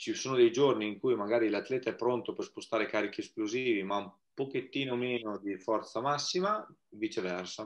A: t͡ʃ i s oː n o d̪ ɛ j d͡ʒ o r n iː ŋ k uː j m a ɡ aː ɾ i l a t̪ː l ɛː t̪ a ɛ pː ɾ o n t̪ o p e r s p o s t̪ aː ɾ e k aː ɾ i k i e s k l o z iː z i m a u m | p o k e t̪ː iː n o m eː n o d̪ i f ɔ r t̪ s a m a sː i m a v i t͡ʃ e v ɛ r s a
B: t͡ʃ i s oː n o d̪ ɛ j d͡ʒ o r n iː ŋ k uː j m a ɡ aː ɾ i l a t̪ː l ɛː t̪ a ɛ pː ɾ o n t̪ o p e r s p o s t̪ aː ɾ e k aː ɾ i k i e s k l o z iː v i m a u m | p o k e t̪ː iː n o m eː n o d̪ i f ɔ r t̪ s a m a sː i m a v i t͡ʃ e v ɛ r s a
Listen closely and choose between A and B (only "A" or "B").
B